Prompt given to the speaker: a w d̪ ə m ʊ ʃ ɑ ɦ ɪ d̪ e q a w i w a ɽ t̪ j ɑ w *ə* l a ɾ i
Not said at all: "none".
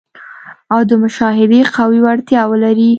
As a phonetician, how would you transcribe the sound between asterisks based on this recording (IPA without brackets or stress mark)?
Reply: ə